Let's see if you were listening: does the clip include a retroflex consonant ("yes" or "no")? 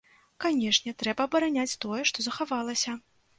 yes